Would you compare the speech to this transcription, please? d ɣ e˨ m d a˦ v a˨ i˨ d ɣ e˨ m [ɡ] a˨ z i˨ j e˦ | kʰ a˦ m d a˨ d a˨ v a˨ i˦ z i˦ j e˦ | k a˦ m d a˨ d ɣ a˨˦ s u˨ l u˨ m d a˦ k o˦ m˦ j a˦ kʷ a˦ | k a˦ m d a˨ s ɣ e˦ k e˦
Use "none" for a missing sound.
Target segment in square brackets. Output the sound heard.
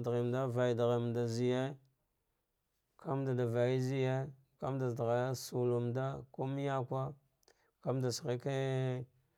d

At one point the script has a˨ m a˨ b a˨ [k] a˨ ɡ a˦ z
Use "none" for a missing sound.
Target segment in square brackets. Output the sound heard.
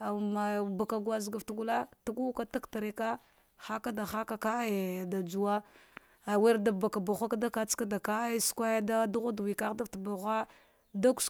k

